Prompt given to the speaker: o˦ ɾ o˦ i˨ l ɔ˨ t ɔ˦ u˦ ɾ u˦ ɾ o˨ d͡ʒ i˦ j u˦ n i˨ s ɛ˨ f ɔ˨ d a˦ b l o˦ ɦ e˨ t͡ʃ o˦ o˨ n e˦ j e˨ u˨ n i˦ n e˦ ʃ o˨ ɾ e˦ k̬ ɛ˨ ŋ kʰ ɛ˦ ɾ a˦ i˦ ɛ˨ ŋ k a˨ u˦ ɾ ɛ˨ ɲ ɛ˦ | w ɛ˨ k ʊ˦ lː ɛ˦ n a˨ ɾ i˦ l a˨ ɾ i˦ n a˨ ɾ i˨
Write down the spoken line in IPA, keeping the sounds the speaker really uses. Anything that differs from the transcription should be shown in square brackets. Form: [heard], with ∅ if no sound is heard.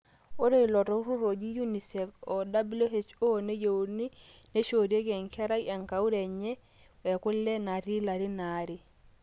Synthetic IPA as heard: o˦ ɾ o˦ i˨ l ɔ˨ t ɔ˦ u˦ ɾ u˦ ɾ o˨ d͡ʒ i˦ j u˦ n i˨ s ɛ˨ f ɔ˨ d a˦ b l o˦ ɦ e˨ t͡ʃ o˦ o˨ n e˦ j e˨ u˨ n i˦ n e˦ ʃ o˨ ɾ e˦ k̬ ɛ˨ ŋ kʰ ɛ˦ ɾ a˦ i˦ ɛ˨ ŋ k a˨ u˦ ɾ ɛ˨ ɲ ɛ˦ | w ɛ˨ k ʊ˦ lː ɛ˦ n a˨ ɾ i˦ l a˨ ɾ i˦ n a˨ ɾ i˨